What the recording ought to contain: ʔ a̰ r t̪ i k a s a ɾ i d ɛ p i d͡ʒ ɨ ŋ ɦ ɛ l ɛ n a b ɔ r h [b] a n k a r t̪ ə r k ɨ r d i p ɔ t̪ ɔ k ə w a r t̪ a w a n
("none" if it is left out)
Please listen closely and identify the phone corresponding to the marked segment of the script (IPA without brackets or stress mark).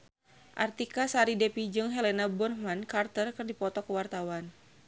m